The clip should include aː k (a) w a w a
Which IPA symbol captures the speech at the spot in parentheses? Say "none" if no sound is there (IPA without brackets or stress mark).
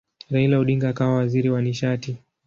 a